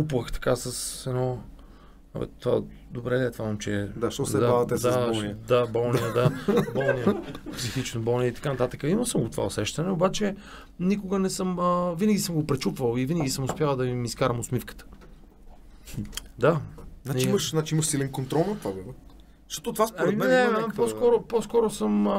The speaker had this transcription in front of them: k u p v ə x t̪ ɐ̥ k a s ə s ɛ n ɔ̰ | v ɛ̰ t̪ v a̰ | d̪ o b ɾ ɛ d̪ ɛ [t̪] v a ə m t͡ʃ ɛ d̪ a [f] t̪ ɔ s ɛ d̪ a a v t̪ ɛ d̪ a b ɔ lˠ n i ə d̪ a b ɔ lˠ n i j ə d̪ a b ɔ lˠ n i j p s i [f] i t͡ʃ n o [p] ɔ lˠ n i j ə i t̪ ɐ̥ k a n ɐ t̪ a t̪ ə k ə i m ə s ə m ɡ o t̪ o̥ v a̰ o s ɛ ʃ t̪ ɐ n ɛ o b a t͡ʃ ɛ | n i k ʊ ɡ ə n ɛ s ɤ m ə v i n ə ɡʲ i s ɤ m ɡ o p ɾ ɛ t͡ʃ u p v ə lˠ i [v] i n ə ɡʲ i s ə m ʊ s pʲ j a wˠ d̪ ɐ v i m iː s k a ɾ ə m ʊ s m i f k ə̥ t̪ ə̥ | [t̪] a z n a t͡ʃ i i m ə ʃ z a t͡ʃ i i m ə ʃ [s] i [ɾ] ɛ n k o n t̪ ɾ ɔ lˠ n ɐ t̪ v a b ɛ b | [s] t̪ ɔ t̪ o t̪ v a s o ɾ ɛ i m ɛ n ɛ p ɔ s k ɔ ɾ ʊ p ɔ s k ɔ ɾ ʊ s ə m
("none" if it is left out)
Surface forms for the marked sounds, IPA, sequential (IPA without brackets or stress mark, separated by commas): t̪, ʃ, x, b, v, d̪, s, l, ʃ